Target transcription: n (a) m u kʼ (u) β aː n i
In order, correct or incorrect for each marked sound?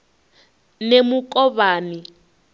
incorrect, incorrect

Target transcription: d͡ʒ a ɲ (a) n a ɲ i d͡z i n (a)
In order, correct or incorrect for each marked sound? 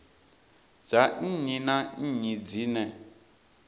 incorrect, incorrect

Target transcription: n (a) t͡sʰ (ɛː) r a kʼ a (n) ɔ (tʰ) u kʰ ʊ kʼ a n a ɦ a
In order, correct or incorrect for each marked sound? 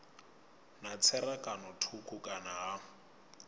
correct, incorrect, correct, correct

